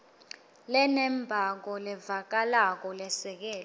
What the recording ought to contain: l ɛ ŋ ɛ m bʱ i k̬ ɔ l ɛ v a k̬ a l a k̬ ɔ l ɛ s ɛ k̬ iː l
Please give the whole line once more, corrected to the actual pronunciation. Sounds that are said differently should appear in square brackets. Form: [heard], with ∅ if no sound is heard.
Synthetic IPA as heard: l ɛ [n] ɛ m bʱ [a] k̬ ɔ l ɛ v a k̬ a l a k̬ ɔ l ɛ s ɛ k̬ [ɛː] l